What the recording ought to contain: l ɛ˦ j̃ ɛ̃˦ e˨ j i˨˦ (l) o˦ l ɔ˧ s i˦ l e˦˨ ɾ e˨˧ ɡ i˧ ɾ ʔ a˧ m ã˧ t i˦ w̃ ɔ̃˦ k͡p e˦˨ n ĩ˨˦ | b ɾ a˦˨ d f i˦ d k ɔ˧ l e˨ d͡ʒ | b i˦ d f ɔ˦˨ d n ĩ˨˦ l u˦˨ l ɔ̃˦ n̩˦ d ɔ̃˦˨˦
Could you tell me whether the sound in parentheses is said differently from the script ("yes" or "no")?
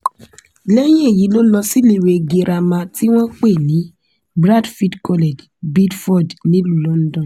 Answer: no